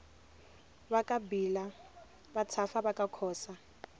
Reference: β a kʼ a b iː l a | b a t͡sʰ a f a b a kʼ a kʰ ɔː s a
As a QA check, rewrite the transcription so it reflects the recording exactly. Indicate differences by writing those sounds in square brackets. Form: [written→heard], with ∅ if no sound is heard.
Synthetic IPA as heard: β a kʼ a b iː l a | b a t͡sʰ a f a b a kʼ a kʰ ɔː s a